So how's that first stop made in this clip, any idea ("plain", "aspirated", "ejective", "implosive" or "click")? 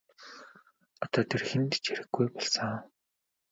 plain